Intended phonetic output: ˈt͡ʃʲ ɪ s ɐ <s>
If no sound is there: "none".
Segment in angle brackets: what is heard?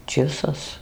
s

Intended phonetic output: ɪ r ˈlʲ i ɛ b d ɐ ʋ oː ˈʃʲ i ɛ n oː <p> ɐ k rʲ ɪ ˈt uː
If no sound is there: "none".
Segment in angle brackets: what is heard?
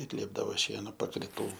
p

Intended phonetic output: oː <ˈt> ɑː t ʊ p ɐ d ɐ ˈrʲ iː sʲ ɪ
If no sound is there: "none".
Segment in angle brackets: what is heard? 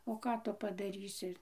k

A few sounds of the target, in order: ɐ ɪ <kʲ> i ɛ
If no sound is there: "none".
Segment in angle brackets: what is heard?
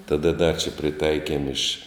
kʲ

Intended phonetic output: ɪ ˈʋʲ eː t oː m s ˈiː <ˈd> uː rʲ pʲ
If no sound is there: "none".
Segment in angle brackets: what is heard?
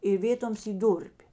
d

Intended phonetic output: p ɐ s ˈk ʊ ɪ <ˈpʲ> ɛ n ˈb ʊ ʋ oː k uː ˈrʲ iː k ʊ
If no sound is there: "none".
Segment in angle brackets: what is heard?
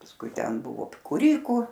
tʲ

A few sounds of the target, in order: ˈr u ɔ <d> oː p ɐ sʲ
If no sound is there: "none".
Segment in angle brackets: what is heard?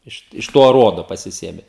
d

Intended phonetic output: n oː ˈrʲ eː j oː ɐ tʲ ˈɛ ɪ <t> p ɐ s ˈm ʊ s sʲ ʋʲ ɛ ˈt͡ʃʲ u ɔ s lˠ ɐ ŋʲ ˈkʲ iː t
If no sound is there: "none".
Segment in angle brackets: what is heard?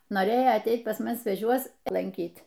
t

